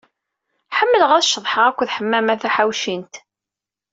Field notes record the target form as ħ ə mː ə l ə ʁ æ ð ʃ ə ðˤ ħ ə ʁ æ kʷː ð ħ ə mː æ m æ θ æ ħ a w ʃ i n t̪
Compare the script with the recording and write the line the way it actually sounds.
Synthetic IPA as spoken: ħ ə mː ə l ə ʁ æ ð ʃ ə ðˤ ħ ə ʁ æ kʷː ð ħ ə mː æ m æ θ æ ħ a w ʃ i n t̪

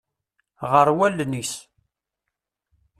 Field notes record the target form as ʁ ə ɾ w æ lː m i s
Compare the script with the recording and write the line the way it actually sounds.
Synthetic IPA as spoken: ʁ ə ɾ w æ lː n i s

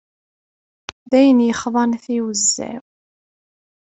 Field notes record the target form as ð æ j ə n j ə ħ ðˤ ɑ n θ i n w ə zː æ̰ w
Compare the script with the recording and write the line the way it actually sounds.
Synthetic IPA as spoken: ð æ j ə n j ə χ ðˤ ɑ n θ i w ə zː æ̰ w

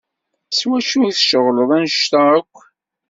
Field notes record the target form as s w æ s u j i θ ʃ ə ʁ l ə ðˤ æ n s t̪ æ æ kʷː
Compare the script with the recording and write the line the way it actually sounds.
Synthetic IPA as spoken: s w æ ʃ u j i θ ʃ ə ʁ l ə ðˤ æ n ʃ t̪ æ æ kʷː

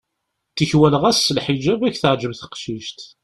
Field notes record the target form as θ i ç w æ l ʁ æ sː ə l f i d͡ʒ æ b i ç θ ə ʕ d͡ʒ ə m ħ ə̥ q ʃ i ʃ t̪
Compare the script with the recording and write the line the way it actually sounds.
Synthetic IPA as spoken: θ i ç w æ l ʁ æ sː ə l ħ i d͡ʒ æ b æ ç θ ə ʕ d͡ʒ ə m θ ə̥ q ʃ i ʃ t̪

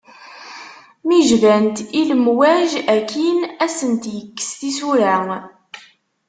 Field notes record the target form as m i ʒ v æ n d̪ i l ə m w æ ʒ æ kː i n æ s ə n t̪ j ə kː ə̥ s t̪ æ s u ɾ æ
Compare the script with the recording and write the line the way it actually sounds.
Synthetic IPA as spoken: m i ʒ v æ n t̪ i l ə m w æ ʒ æ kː i n æ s ə n t̪ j ə kː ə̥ s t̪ i s u ɾ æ

